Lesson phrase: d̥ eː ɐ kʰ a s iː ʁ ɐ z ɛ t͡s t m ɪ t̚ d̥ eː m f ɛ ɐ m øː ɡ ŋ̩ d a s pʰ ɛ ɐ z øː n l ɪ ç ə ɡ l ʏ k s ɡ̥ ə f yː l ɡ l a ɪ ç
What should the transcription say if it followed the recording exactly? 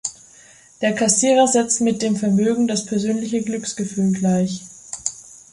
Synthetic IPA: d̥ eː ɐ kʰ a s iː ʁ ɐ z ɛ t͡s t m ɪ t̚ d̥ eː m f ɛ ɐ m øː ɡ ŋ̩ d a s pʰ ɛ ɐ z øː n l ɪ ç ə ɡ l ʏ k s ɡ̥ ə f yː l ɡ l a ɪ ç